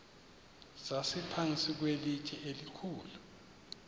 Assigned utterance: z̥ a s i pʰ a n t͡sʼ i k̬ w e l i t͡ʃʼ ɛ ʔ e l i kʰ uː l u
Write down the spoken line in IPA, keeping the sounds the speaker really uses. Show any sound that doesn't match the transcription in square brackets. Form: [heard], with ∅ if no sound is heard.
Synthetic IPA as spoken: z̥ a s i pʰ a n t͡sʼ i k̬ w e l i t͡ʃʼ ɛ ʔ e l i kʰ uː l u